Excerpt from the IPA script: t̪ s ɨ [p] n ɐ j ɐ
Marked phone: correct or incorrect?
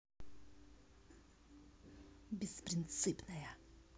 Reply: correct